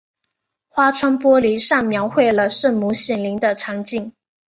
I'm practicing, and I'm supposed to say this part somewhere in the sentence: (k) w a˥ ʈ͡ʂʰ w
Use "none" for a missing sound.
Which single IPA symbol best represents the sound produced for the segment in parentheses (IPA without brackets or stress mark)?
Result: x